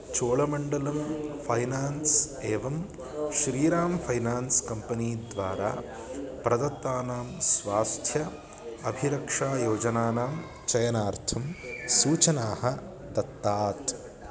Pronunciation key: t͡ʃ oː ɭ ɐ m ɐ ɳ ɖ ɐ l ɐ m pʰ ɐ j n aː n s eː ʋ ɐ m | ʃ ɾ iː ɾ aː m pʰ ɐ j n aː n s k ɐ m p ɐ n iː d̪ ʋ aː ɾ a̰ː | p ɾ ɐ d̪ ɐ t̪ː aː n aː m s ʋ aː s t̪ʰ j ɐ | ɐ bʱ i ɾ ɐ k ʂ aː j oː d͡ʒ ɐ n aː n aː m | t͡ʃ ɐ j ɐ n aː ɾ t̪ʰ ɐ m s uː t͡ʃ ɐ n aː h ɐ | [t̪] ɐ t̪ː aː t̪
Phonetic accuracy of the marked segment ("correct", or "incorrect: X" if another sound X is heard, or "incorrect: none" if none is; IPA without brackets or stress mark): incorrect: d̪